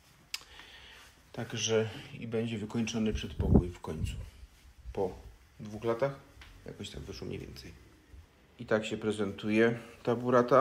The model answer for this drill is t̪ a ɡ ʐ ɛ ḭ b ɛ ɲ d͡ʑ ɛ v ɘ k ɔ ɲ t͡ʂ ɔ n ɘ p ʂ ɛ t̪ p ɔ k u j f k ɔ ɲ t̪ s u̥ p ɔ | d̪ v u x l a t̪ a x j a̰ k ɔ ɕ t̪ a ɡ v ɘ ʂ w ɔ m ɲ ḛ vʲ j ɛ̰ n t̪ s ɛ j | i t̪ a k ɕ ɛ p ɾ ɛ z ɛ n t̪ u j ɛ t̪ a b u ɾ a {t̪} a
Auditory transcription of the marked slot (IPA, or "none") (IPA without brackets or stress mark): t̪